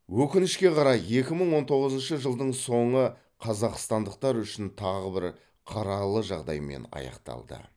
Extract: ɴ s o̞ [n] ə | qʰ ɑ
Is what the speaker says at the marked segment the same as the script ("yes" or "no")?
no